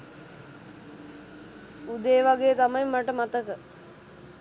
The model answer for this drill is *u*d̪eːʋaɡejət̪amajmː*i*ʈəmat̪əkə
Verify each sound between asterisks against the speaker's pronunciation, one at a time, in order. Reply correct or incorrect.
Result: correct, incorrect: a

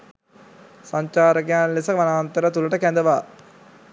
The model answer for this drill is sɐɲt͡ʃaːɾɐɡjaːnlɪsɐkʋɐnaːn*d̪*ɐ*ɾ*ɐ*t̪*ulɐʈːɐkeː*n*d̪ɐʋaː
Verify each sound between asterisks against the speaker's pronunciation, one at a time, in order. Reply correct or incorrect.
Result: incorrect: t̪, correct, correct, correct

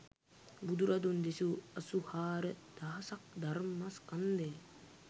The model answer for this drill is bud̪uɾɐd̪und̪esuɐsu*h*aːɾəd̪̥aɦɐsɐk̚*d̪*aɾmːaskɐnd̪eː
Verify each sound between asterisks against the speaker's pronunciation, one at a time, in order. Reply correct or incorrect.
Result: correct, correct

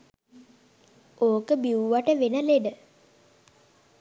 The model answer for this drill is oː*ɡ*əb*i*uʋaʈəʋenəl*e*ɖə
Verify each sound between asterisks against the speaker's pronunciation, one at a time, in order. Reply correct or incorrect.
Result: incorrect: k, correct, correct

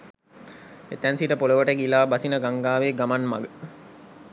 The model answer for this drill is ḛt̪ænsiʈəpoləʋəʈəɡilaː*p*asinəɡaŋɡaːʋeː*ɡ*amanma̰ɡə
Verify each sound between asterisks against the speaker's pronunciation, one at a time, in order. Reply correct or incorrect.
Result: incorrect: b, correct

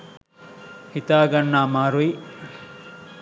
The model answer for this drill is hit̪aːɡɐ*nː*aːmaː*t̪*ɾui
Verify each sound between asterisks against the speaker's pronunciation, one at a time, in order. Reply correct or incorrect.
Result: correct, incorrect: none

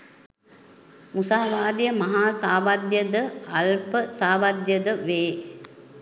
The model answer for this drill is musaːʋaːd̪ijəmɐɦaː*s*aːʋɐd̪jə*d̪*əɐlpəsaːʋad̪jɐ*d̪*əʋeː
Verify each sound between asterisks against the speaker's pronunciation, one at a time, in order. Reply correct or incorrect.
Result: correct, correct, correct

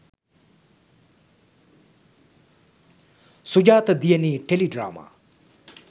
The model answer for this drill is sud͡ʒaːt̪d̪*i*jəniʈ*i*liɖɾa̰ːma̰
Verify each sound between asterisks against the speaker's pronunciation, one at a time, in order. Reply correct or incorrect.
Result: correct, incorrect: e

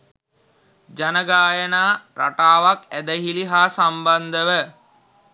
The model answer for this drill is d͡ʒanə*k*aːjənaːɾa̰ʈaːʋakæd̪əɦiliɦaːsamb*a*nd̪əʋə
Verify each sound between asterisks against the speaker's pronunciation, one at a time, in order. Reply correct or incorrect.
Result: incorrect: ɡ, correct

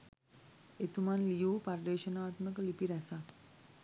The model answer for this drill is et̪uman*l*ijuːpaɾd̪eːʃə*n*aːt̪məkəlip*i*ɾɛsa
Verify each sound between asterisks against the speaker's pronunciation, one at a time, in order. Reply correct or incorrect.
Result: correct, correct, correct

